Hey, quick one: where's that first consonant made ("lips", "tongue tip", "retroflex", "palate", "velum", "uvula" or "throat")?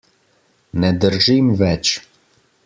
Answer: tongue tip